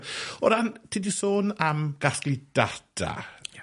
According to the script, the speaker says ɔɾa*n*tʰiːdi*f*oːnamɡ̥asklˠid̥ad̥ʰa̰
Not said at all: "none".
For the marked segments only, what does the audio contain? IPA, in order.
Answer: n, s

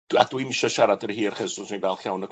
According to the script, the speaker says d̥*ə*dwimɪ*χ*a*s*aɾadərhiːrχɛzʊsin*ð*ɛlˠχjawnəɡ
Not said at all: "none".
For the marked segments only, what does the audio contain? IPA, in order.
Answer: a, ʃ, ʃ, v

